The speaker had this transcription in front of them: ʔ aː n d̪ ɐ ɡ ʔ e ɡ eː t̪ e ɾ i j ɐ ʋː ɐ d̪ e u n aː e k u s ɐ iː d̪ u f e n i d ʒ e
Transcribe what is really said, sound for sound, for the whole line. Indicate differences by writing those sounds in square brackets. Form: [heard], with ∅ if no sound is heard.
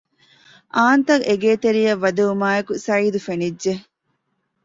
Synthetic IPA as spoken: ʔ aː n [t̪] ɐ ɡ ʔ e ɡ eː t̪ e ɾ i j ɐ ʋː ɐ d̪ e u [m] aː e k u s ɐ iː d̪ u f e n i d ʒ e

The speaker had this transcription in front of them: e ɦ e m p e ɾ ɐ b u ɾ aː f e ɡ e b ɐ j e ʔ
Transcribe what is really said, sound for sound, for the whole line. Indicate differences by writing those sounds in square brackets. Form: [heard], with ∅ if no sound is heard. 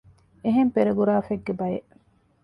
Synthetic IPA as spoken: e ɦ e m p e ɾ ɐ [ɡ] u ɾ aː f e [ɡː] e b ɐ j e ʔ

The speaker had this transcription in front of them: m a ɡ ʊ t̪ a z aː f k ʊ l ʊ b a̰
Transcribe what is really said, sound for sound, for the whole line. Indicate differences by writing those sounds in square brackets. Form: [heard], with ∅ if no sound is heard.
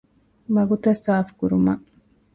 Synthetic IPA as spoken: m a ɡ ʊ t̪ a [s] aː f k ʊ [ɾ] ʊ [m] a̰

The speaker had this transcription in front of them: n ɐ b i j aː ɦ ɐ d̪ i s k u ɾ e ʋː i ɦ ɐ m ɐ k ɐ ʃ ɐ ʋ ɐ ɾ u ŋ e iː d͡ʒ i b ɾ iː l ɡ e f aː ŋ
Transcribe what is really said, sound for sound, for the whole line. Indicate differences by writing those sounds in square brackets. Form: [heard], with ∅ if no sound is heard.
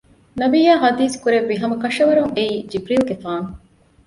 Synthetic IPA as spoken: n ɐ b i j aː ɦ ɐ d̪ [iː] s k u ɾ e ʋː i ɦ ɐ m ɐ k ɐ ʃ ɐ ʋ ɐ ɾ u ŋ e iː d͡ʒ i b ɾ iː l ɡ e f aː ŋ

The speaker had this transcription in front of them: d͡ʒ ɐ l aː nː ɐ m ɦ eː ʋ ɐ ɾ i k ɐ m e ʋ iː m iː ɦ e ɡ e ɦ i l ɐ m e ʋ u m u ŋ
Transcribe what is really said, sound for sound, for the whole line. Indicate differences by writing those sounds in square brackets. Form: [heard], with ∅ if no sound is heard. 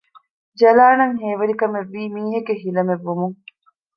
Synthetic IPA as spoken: d͡ʒ ɐ l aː [n] ɐ [ŋ] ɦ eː ʋ ɐ ɾ i k ɐ m e [ʋː] iː m iː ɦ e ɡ e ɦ i l ɐ m e [ʋː] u m u ŋ

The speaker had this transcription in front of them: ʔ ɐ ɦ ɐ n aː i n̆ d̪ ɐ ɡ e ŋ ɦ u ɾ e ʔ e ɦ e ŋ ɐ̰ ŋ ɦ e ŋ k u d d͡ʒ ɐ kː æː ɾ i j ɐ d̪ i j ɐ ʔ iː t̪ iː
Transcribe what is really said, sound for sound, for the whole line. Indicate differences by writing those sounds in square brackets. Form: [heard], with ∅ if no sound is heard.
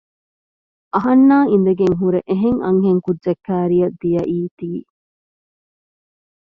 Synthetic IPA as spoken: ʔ ɐ ɦ ɐ [nː] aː i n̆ d̪ ɐ ɡ e ŋ ɦ u ɾ e ʔ e ɦ e ŋ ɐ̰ ŋ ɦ e ŋ k u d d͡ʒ ɐ kː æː ɾ i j ɐ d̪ i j ɐ ʔ iː t̪ iː

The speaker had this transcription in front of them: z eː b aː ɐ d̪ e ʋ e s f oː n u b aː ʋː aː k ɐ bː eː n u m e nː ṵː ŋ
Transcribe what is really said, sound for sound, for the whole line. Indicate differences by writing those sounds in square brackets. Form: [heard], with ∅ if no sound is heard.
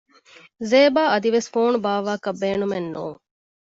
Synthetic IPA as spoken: z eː b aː ɐ d̪ [i] ʋ e s f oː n u b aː [ʋ] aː k ɐ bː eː n u m e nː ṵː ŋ

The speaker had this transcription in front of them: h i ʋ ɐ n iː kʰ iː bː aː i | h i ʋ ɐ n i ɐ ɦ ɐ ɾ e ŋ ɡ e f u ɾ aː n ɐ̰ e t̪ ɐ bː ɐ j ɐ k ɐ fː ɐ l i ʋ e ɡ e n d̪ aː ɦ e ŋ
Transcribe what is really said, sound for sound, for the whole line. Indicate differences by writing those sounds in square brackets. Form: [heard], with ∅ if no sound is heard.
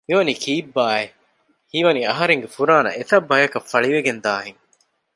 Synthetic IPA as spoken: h i ʋ ɐ n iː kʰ iː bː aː [e] | h i ʋ ɐ n i ɐ ɦ ɐ ɾ e ŋ ɡ e f u ɾ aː n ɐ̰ e t̪ ɐ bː ɐ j ɐ k ɐ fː ɐ [ɭ] i ʋ e ɡ e n d̪ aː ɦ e ŋ

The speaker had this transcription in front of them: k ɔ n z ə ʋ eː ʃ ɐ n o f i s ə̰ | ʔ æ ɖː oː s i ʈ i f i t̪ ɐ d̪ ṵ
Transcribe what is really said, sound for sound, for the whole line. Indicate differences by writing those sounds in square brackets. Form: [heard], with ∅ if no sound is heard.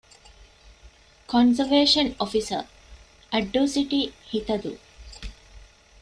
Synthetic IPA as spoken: k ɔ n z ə ʋ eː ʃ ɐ n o f i s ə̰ | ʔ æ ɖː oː s i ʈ i [h] i t̪ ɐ d̪ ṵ

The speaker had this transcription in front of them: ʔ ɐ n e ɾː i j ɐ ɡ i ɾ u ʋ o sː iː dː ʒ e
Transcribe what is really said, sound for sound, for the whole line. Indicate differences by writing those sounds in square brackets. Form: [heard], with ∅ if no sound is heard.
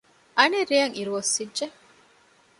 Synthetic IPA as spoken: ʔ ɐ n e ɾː i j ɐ [ŋ] i ɾ u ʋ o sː [i] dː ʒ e

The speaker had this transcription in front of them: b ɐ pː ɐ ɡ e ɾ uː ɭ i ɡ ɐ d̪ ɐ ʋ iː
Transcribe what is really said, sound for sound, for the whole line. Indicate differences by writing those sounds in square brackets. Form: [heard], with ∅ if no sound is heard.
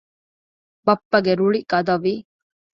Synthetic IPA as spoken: b ɐ pː ɐ ɡ e ɾ [u] ɭ i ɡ ɐ d̪ ɐ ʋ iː

